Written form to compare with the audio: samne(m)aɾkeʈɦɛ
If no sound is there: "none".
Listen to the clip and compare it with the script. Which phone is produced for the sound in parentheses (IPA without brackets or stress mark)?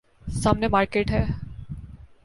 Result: m